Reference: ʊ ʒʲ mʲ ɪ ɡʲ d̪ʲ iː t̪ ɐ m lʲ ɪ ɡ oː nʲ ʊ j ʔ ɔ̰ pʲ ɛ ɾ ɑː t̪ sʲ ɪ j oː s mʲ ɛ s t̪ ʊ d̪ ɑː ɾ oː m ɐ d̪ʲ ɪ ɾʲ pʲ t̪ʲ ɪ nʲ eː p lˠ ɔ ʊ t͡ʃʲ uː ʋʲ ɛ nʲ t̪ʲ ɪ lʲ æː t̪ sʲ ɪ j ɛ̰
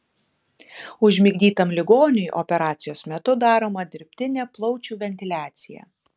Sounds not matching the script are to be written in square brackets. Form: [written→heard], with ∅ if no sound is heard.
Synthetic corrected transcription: ʊ ʒʲ mʲ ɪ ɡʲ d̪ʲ iː t̪ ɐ m lʲ ɪ ɡ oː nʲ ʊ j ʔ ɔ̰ pʲ ɛ ɾ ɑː t̪ sʲ ɪ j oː s mʲ ɛ [s→∅] t̪ ʊ d̪ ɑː ɾ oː m ɐ d̪ʲ ɪ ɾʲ pʲ t̪ʲ ɪ nʲ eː p lˠ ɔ ʊ t͡ʃʲ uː ʋʲ ɛ nʲ t̪ʲ ɪ lʲ æː t̪ sʲ ɪ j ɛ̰